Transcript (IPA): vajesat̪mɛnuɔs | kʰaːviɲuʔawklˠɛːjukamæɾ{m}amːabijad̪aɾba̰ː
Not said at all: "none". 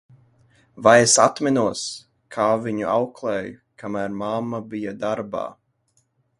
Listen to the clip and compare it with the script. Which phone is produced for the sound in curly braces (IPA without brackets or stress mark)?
m